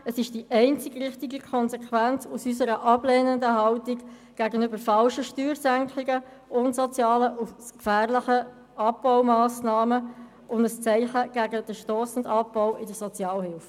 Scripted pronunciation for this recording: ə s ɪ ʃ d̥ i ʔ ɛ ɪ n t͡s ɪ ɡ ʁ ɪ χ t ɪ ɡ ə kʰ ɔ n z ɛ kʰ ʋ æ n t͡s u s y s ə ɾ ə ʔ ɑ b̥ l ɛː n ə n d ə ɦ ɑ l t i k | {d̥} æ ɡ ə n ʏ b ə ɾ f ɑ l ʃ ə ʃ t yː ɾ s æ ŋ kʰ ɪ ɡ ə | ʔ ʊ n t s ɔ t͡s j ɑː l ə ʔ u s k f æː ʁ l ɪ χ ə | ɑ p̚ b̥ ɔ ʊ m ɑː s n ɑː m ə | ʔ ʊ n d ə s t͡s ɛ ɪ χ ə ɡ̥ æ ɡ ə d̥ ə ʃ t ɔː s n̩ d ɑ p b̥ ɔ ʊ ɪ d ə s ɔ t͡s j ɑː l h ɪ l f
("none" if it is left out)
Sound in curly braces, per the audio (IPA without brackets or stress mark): ɡ̥